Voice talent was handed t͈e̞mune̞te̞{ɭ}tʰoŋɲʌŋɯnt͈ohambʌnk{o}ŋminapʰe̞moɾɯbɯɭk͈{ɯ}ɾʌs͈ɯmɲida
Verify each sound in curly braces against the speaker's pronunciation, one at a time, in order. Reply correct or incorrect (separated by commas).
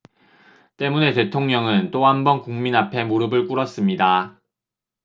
incorrect, incorrect, incorrect